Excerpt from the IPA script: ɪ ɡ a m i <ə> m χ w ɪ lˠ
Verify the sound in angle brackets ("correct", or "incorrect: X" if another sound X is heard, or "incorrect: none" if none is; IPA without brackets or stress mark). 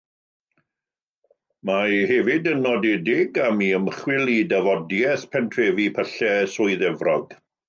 correct